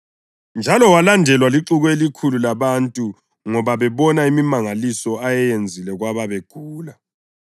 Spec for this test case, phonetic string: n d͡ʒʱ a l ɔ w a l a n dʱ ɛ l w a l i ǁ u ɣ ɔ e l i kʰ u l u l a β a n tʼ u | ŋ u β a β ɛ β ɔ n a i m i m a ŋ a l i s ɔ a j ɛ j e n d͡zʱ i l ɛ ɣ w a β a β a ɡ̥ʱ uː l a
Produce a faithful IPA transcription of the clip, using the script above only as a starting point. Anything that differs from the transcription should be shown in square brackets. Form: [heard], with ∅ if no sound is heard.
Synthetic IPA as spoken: n d͡ʒʱ a l ɔ w a l a n dʱ ɛ l w a l i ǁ u ɣ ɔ e l i kʰ u l u l a β a n tʼ u | ŋ [ɔ] β a β ɛ β ɔ n a i m i m a ŋ a l i s ɔ a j ɛ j e n d͡zʱ i l ɛ ɣ w a β a β [e] ɡ̥ʱ uː l a